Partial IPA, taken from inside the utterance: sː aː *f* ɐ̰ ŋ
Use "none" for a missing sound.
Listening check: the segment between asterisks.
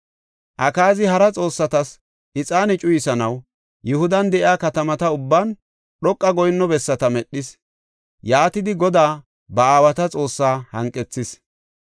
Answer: h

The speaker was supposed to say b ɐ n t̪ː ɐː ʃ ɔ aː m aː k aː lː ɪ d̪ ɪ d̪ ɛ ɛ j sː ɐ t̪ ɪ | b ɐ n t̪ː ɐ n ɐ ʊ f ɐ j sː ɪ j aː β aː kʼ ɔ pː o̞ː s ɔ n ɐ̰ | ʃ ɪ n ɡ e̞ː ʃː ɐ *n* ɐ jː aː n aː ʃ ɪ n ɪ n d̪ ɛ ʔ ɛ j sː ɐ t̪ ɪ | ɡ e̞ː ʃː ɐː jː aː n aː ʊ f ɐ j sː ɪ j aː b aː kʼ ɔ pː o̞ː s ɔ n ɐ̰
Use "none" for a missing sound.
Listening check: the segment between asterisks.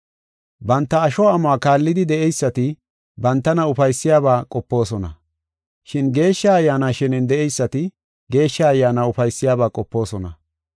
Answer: none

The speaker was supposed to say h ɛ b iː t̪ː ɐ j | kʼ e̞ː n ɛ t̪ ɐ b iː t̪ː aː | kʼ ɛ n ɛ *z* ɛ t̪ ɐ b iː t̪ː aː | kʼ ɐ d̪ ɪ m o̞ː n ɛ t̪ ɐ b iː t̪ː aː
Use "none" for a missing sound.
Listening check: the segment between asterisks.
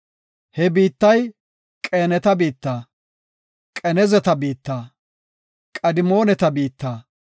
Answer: z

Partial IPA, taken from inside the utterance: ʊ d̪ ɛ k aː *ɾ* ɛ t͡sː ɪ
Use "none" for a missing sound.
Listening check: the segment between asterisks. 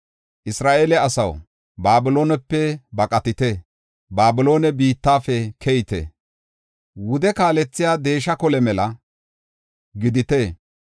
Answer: l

